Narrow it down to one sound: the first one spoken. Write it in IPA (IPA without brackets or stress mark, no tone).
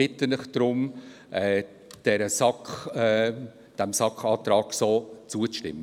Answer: ɪ